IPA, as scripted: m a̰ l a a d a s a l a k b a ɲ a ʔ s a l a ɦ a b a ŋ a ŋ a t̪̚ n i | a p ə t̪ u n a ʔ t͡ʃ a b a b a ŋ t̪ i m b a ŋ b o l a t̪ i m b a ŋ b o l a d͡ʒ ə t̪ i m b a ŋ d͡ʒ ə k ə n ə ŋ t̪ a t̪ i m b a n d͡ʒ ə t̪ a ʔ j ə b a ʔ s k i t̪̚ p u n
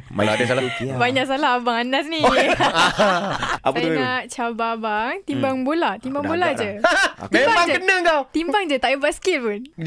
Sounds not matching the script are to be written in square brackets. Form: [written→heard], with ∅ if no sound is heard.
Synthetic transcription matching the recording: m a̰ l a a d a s a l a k b a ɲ a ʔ s a l a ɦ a b a ŋ a [ŋ→n] a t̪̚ n i | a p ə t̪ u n a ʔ t͡ʃ a b a b a ŋ t̪ i m b a ŋ b o l a t̪ i m b a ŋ b o l a d͡ʒ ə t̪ i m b a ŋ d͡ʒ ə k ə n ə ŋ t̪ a t̪ i m b a [n→ŋ] d͡ʒ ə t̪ a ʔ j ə b a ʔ s k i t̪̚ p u n